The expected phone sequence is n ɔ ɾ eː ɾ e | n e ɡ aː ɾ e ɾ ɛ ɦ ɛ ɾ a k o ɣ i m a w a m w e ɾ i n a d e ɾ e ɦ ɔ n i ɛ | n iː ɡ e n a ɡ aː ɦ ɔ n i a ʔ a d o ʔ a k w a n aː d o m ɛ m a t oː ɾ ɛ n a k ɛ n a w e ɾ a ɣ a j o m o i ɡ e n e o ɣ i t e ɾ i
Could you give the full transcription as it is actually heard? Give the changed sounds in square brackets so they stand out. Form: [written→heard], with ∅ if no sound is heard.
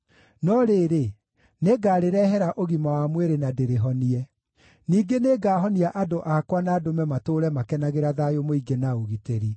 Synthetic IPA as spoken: n ɔ ɾ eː ɾ e | n e ɡ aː ɾ e ɾ ɛ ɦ ɛ ɾ a [k→ʔ] o ɣ i m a w a m w e ɾ [i→e] n a d e ɾ e ɦ ɔ n i ɛ | n iː ɡ e n [a→e] ɡ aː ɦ ɔ n i a ʔ a d o ʔ a k w a n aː d o m ɛ m a t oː ɾ ɛ [n→m] a k ɛ n a [w→ɣ] e ɾ a [ɣ→ð] a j o m o i ɡ e n [e→a] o ɣ i t e ɾ i

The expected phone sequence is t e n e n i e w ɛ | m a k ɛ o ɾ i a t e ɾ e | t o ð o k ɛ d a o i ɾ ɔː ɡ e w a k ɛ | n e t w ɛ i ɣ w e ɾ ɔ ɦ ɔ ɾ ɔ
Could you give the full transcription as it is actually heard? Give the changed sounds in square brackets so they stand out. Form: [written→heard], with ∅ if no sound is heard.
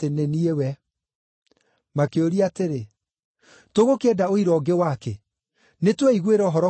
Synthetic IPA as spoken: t e n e n i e w ɛ | m a k [ɛ→e] o ɾ i a t e ɾ e | t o [ð→ɣ] o k ɛ d a o i ɾ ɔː ɡ e w a k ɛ | n e t w ɛ i ɣ w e ɾ ɔ ɦ ɔ ɾ ɔ

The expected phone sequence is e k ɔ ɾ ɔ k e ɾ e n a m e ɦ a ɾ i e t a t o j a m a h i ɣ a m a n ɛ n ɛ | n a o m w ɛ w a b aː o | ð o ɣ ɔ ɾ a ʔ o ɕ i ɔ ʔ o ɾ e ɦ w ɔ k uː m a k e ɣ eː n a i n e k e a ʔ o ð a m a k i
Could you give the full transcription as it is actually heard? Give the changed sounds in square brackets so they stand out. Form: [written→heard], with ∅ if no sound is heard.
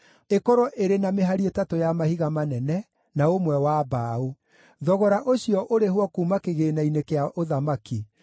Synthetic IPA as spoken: e k ɔ ɾ ɔ [k→ʔ] e ɾ e n a m e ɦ a ɾ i e t a t o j a m a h i ɣ a m a n ɛ n ɛ | n a o m w ɛ w a b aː o | ð [o→ɔ] ɣ ɔ ɾ a ʔ o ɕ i ɔ ʔ o ɾ e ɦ w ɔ k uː m a k e ɣ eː n a i n e k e a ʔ o ð a m a k i

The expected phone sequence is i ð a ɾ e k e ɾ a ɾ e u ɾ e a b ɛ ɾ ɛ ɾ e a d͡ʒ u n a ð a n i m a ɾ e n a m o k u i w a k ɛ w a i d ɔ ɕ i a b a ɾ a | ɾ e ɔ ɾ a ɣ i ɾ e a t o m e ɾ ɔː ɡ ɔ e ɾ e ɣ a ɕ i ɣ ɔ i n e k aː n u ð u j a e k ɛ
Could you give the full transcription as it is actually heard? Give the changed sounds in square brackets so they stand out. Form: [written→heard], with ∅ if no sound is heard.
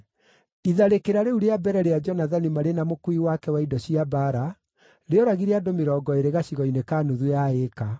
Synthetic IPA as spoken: i ð a ɾ e k e ɾ a ɾ e u ɾ e a b ɛ ɾ ɛ ɾ e a d͡ʒ [u→ɔ] n a ð a n i m a ɾ e n a m o k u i w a k ɛ w a i d ɔ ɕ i a b a ɾ a | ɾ e ɔ ɾ a ɣ i ɾ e a [t→d] o m e ɾ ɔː ɡ ɔ e ɾ e ɣ a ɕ i ɣ ɔ i n e k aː n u ð u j a e k [ɛ→a]

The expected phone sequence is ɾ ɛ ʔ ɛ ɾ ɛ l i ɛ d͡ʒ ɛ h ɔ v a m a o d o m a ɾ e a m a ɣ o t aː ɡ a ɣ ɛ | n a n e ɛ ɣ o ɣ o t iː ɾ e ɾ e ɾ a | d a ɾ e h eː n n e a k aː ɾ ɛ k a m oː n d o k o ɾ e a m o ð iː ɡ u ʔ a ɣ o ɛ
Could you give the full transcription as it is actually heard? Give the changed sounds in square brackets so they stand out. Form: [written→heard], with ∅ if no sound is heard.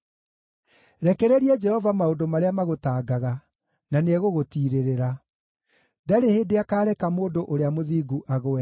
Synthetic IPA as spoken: ɾ ɛ [ʔ→k] ɛ ɾ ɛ [l→ɾ] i ɛ d͡ʒ ɛ h ɔ v a m a o d o m a ɾ e a m a ɣ o t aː ɡ a ɣ [ɛ→a] | n a n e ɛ ɣ o ɣ o t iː ɾ e ɾ e ɾ a | d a ɾ e h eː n [n→d] e a k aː ɾ ɛ k a m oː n d o [k→ʔ] o ɾ e a m o ð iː ɡ u ʔ a ɣ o ɛ

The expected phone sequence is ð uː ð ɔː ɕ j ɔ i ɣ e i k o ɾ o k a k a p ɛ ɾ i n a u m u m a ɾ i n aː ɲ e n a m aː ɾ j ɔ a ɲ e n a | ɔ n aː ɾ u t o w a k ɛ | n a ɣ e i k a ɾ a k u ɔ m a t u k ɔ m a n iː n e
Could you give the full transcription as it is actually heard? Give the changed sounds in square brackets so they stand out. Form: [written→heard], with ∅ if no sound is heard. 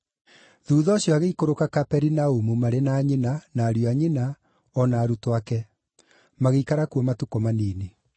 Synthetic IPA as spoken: ð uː ð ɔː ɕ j ɔ [i→a] ɣ e i k o ɾ o k a k a p ɛ ɾ i n a u m u m a ɾ [i→e] n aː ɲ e n a [m→n] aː ɾ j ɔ a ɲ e n a | ɔ n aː ɾ u t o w a k ɛ | [n→m] a ɣ e i k a ɾ a k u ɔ m a t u k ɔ m a n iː n e

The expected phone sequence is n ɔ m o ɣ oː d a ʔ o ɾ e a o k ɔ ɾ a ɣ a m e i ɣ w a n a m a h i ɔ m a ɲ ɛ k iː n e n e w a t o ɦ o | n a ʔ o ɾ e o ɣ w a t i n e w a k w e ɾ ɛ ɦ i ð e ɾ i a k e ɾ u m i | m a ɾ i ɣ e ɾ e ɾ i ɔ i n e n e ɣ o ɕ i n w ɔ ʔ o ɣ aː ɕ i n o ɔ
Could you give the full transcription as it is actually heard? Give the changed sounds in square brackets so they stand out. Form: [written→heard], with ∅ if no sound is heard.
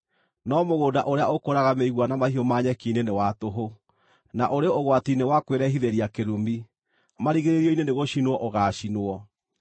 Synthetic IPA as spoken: n ɔ m o ɣ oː d a ʔ o ɾ e a o k [ɔ→o] ɾ a ɣ a m e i ɣ w a n a m a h i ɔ m a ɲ ɛ k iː n e n e w a t o ɦ o | n a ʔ o ɾ e o ɣ w a t i n e w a k w e ɾ ɛ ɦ i ð e ɾ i a k e ɾ u m i | m a ɾ i ɣ e ɾ e ɾ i ɔ i n e n e ɣ o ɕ i n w ɔ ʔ o ɣ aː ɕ i n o ɔ

